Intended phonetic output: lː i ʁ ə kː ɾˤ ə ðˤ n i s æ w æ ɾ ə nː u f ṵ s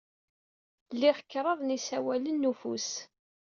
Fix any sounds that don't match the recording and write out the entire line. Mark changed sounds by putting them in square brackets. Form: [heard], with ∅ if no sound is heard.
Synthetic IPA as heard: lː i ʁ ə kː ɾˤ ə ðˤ n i s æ w æ [l] ə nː u f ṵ s